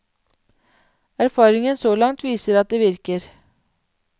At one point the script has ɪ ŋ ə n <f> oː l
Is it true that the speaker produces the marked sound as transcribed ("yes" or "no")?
no